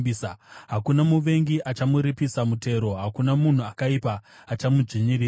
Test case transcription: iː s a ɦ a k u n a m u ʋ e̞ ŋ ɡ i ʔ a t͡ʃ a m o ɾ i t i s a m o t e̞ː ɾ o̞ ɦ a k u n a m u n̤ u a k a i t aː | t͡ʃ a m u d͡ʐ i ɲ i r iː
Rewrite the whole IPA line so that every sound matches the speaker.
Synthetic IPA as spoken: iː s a ɦ a k u n a m u ʋ e̞ ŋ ɡ i ʔ a t͡ʃ a m u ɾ i p i s a m u t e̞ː ɾ o̞ ɦ a k u n a m u n̤ u a k a i p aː | t͡ʃ a m u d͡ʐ i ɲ i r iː